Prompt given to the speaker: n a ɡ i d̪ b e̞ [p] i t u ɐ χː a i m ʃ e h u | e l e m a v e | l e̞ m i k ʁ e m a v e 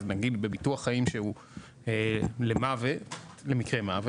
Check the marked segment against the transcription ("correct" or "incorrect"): incorrect